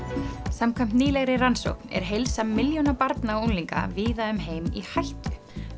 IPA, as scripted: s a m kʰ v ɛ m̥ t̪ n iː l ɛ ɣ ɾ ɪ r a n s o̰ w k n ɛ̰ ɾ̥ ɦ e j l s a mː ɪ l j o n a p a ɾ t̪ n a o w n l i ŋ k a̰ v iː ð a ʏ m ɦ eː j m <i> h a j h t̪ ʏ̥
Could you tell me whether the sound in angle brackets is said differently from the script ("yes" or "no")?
no